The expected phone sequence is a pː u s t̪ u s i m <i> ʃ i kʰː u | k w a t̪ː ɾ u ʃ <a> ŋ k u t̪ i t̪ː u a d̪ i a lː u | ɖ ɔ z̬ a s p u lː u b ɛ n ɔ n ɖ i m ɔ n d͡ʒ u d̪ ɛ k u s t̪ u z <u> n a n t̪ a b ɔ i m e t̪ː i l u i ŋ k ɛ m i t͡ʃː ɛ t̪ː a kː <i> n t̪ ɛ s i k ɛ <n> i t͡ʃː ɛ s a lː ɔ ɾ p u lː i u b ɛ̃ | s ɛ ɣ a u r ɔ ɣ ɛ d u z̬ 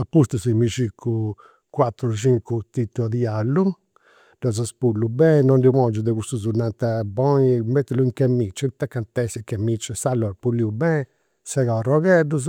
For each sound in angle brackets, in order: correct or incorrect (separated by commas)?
correct, incorrect, correct, incorrect, incorrect